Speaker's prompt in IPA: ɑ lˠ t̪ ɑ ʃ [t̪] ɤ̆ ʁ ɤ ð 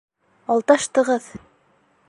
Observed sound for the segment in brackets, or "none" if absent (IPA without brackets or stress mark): t̪